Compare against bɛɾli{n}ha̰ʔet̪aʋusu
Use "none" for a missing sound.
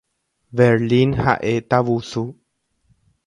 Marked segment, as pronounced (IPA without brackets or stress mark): n